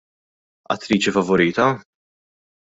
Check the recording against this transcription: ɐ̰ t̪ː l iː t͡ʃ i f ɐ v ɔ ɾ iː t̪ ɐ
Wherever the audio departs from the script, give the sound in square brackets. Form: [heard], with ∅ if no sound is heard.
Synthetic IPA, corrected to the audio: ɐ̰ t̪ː [ɾ] iː t͡ʃ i f ɐ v ɔ ɾ iː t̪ ɐ